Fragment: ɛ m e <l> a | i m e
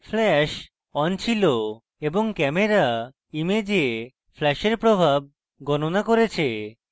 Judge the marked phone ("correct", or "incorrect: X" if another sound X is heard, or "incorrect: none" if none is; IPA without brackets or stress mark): incorrect: ɾ